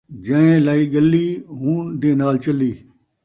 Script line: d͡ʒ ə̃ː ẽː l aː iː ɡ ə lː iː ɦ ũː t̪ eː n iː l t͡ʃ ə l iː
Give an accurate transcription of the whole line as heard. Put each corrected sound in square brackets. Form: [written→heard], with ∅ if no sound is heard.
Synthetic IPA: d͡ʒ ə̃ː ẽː l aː iː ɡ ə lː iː ɦ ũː [t̪→d̪] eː n [iː→aː] l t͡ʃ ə l iː